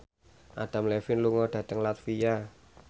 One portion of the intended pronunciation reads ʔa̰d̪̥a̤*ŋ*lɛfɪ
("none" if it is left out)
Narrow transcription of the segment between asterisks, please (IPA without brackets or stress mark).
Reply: m